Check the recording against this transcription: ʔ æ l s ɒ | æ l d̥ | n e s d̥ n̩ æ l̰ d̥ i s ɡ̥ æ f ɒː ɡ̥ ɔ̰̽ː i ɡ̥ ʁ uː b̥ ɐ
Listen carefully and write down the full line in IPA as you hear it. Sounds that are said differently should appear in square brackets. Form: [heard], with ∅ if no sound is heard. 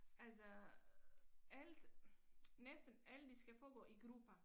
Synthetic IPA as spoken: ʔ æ l s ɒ | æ l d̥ | n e s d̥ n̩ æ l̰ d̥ i s ɡ̥ æ f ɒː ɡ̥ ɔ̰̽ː i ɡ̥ ʁ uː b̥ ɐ